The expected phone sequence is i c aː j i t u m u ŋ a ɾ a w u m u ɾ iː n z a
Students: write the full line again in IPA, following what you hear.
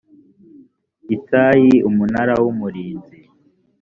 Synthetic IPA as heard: i t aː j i u m u n a ɾ a w u m u ɾ iː n z i